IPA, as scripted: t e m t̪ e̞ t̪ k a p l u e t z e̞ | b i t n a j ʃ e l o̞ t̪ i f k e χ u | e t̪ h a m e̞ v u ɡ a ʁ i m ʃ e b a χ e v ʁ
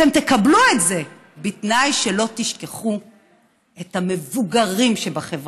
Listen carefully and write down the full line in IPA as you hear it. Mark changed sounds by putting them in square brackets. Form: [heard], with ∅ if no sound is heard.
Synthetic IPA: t e m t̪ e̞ [∅] k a [b] l u e t z e̞ | b i t n a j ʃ e l o̞ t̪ i [ʃ] k e χ u | e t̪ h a m e̞ v u ɡ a ʁ i m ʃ e b a χ e v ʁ